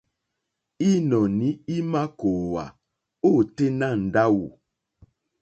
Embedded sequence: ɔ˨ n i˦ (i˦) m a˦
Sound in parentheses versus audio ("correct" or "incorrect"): correct